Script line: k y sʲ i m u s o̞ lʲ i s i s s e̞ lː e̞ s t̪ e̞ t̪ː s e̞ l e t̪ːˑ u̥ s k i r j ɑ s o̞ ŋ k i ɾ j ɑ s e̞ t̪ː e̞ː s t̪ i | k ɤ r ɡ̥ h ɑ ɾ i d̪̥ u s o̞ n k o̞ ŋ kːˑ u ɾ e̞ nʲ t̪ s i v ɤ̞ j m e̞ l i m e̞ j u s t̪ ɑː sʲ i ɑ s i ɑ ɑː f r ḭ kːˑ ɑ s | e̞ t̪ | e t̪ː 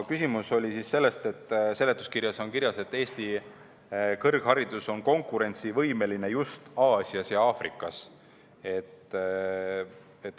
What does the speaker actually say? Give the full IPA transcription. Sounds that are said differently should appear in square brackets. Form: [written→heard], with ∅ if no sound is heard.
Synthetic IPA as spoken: k y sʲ i m u s o̞ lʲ i s i s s e̞ lː e̞ s t̪ e̞ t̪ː s e̞ l e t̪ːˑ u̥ s k i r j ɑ s o̞ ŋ k i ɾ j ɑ s e̞ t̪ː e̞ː s t̪ i | k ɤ r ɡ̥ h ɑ ɾ i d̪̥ u s o̞ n k o̞ ŋ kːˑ u ɾ e̞ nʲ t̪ s i v ɤ̞ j m e̞ l i [m→n] e̞ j u s t̪ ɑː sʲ i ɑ s [i→j] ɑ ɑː f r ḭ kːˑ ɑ s | e̞ t̪ | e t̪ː